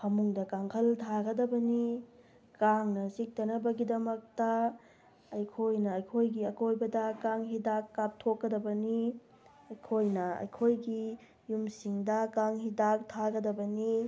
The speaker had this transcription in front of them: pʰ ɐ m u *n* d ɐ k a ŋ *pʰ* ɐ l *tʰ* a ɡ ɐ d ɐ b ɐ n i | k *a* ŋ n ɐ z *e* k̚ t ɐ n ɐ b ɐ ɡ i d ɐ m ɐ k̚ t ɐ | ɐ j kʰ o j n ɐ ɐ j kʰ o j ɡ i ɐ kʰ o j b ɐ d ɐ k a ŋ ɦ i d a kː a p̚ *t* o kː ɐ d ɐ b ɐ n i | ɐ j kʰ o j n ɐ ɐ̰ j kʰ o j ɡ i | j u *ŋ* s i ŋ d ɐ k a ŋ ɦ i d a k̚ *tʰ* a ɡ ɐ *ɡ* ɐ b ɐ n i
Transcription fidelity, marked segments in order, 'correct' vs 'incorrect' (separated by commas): incorrect, incorrect, correct, correct, incorrect, incorrect, incorrect, correct, incorrect